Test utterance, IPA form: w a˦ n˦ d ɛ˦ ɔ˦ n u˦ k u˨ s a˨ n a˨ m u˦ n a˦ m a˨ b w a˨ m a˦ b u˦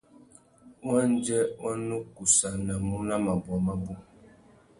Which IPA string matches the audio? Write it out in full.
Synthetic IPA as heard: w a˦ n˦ d͡ʒ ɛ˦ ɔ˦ n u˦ k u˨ s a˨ n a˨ m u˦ n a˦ m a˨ b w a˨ m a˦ b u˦

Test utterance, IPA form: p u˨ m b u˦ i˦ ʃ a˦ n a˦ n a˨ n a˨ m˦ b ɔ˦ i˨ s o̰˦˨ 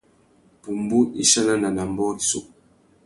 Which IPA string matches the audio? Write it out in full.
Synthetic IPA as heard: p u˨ m b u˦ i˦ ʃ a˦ n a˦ n a˨ n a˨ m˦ b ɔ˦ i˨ s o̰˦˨

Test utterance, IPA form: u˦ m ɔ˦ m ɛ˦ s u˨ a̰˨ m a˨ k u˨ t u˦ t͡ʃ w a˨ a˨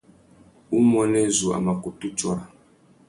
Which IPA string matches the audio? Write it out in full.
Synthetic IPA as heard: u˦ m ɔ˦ n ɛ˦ z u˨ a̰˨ m a˨ k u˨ t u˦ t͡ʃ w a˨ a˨

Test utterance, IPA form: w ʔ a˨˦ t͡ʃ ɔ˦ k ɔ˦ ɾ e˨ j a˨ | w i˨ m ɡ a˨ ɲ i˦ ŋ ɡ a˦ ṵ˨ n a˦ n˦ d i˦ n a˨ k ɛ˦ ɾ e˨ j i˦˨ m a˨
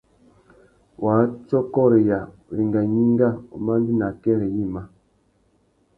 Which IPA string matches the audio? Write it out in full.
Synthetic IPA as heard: w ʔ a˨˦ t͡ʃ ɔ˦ k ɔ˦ ɾ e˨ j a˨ | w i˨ ŋ ɡ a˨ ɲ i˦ ŋ ɡ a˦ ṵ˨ m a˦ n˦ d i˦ n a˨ k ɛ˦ ɾ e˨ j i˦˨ m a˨

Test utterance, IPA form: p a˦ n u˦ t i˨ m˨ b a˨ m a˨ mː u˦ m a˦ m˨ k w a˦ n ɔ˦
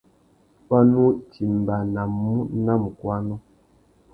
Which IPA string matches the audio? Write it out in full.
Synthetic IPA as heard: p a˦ n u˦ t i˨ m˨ b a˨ n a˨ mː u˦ n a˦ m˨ k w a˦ n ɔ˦

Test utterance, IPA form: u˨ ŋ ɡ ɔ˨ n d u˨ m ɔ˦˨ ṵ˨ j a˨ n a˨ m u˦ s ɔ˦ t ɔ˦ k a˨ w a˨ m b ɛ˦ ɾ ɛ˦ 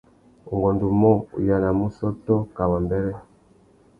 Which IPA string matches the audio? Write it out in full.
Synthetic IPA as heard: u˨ ŋ ɡ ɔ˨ n d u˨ m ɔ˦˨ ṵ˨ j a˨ n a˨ m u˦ s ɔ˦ t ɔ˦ k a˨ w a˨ m b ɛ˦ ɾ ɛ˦

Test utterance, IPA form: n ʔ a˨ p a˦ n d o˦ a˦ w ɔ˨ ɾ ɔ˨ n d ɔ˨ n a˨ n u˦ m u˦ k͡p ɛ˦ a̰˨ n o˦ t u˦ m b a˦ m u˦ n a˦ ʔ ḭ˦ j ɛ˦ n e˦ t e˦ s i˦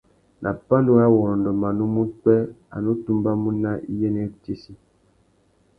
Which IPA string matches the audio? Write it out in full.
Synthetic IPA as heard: n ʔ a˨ p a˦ n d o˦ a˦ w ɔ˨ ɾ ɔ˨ n d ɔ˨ m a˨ n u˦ m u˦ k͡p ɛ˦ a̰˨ n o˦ t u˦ m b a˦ m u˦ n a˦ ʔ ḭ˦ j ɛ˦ n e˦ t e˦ s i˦

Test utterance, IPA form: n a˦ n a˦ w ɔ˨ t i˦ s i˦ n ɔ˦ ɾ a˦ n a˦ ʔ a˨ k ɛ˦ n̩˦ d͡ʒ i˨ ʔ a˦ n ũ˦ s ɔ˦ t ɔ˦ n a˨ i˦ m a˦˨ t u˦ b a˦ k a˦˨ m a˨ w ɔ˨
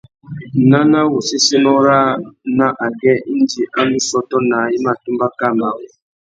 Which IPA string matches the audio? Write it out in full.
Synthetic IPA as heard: n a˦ n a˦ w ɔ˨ s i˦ s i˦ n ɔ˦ ɾ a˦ n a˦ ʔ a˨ ɡ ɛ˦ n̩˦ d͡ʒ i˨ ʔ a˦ n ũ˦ s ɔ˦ t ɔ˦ n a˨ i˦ m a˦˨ t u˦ b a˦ k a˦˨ m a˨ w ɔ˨

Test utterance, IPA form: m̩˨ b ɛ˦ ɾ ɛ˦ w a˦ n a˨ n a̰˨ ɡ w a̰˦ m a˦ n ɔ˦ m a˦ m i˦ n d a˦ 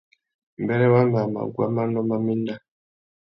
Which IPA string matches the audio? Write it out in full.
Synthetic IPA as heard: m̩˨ b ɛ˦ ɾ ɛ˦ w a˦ m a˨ m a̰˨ ɡ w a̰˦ m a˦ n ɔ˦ m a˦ m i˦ n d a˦

